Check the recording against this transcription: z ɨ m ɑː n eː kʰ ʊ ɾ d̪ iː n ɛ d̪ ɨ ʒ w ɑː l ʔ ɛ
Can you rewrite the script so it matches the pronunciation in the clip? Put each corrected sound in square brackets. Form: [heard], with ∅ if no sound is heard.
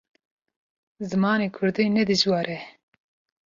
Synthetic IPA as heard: z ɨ m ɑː n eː kʰ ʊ ɾ d̪ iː n ɛ d̪ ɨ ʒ w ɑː [ɾ] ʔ ɛ